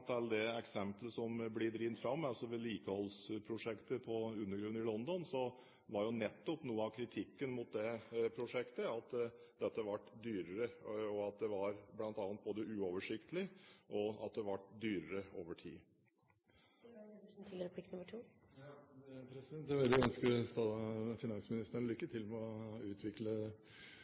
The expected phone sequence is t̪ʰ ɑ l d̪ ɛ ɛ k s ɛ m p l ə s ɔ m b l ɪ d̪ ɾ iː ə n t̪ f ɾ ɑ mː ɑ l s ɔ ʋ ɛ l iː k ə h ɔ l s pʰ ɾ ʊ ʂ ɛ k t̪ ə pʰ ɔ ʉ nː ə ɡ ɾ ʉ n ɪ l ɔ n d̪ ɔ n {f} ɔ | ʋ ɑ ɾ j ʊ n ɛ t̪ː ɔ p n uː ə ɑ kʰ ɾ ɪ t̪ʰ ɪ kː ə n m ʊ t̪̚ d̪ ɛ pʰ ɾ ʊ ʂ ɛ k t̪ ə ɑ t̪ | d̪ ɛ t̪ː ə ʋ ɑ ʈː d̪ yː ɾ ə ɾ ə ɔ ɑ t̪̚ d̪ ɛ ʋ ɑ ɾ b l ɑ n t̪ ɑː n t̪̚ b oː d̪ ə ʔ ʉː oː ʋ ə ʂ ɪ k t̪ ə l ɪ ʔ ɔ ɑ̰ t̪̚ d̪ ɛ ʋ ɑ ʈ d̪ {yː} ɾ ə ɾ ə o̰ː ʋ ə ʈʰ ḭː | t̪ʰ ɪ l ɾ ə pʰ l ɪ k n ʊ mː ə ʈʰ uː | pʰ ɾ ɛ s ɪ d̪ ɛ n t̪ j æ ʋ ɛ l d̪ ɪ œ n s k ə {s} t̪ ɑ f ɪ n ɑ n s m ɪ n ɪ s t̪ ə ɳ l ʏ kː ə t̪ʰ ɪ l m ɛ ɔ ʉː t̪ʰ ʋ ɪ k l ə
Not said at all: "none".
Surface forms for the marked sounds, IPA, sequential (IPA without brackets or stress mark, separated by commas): s, yː, s